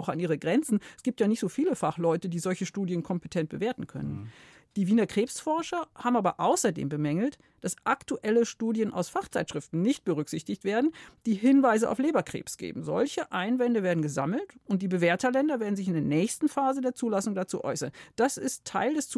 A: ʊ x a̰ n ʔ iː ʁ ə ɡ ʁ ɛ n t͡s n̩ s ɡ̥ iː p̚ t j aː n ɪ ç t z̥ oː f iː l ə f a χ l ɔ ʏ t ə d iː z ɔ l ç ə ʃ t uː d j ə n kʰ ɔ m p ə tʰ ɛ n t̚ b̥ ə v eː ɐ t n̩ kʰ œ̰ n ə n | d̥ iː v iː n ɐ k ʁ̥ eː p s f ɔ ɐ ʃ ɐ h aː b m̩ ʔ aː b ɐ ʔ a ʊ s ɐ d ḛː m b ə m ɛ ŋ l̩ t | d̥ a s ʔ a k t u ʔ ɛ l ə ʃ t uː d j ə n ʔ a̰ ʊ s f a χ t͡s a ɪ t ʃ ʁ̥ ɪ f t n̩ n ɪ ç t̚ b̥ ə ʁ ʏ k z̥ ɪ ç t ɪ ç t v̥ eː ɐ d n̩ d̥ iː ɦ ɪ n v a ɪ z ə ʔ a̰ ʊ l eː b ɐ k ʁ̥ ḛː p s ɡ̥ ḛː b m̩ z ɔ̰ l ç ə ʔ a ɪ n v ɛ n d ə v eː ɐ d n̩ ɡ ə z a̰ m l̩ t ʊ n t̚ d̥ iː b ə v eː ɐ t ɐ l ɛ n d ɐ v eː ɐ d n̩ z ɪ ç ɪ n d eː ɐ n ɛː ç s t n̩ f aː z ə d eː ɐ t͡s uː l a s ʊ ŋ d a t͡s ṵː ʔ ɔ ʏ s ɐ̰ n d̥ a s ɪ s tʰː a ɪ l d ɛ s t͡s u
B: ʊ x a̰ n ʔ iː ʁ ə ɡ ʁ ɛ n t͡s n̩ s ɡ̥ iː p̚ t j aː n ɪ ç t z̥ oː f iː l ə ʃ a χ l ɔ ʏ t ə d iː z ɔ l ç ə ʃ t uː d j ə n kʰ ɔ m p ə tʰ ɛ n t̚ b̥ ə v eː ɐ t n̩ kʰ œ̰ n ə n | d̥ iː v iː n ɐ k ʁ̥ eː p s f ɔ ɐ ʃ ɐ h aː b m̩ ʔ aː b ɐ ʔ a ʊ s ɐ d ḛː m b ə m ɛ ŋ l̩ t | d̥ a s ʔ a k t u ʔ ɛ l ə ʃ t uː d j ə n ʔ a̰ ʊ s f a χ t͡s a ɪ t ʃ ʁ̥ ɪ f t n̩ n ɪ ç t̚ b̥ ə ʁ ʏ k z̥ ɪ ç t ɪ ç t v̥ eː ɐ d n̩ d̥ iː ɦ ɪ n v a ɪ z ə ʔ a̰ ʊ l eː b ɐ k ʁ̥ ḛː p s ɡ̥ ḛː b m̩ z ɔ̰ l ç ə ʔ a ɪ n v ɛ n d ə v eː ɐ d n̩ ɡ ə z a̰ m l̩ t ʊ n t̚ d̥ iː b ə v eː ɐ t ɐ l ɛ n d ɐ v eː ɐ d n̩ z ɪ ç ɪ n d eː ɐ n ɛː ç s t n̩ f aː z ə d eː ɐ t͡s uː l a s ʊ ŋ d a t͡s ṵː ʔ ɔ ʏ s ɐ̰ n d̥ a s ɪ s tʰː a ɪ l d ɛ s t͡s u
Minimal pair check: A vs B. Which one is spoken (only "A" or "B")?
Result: A